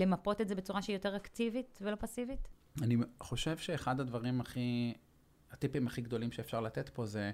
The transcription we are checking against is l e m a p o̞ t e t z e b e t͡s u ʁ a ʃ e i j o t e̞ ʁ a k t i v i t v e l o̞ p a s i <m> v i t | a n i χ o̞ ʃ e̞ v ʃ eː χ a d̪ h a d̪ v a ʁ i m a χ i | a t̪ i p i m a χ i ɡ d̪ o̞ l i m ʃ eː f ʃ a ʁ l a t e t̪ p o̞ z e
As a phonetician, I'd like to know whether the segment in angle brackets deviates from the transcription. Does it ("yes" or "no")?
yes